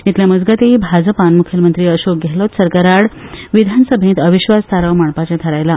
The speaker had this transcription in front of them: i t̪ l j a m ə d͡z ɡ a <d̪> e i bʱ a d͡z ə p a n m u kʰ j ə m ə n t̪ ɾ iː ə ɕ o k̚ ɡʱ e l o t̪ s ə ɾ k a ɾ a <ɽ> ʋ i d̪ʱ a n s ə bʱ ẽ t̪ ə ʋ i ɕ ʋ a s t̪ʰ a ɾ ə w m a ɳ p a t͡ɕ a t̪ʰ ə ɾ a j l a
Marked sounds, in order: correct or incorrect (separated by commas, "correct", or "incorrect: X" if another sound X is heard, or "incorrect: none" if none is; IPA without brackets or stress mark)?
incorrect: t̪, correct